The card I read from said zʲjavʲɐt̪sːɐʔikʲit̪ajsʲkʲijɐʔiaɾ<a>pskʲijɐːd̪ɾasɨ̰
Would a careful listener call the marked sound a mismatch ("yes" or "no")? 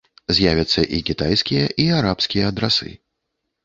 no